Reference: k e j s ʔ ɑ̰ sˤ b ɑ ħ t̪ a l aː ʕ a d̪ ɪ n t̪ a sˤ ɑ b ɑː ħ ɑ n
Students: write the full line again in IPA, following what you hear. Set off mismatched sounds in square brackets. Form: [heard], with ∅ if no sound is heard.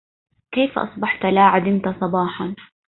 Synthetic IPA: k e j [f] ʔ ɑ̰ sˤ b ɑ ħ t̪ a l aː ʕ a d̪ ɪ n t̪ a sˤ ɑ b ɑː ħ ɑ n